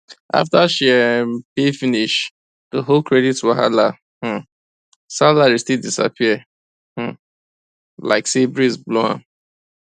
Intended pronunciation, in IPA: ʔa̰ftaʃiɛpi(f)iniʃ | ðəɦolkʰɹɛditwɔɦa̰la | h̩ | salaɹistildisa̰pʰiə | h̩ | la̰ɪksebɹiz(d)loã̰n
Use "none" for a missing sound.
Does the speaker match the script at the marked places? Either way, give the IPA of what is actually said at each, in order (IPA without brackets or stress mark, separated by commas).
f, b